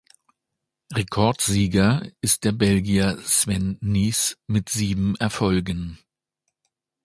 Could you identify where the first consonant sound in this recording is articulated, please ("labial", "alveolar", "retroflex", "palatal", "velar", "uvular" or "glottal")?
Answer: uvular